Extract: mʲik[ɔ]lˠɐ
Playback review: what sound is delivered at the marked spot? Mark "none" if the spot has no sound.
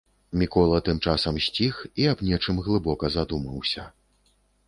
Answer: ɔ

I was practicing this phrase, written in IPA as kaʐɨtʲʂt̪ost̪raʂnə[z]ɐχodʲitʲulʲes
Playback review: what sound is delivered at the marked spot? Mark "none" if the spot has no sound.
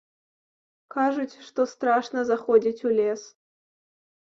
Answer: z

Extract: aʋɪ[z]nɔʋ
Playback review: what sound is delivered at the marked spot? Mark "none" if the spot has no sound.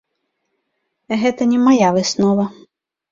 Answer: s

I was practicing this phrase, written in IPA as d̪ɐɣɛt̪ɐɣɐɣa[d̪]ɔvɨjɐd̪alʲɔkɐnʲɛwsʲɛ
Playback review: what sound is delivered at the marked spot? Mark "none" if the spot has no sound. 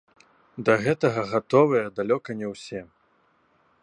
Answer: t̪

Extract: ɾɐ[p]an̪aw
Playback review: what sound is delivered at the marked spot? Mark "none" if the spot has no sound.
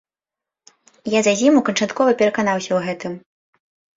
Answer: k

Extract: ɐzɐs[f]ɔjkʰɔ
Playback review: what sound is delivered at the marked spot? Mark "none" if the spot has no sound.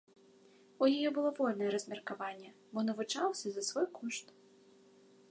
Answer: v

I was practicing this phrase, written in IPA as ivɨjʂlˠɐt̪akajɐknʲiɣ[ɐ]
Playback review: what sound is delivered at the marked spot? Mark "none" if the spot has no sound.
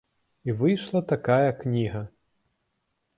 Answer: ɐ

